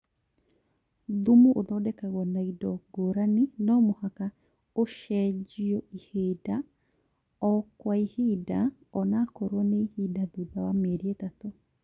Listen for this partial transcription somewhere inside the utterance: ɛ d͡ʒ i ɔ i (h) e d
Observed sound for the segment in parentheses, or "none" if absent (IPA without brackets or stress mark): h